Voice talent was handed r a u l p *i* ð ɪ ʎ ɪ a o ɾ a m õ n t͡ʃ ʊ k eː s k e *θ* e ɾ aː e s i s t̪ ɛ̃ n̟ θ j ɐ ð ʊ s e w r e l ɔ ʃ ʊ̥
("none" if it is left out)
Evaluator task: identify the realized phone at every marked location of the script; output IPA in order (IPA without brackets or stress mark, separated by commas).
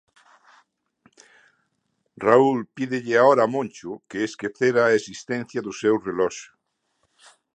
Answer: i, θ